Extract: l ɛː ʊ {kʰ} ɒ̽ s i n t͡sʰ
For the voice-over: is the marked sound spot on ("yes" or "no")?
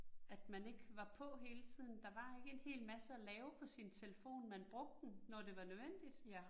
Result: no